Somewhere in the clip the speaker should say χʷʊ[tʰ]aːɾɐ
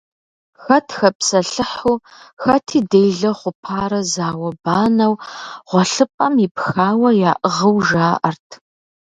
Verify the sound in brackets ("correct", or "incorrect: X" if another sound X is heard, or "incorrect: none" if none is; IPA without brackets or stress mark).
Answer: incorrect: pʰ